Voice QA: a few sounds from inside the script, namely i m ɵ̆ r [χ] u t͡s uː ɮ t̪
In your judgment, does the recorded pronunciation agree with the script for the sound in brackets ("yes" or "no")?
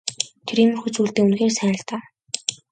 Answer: no